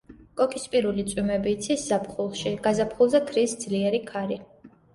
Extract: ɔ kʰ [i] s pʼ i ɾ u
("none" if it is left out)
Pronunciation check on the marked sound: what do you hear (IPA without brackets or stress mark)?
i